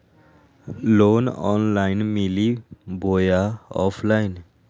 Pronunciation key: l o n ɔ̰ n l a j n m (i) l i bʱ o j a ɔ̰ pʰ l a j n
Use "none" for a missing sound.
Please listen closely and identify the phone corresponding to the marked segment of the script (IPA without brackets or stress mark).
i